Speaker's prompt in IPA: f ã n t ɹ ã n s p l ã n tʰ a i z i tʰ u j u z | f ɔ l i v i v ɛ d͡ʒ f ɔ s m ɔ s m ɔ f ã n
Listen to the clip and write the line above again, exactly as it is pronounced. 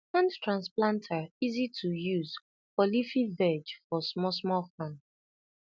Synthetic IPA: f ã n t ɹ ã n s p l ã n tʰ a i z i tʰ u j u z | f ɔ l i f i v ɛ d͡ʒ f ɔ s m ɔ s m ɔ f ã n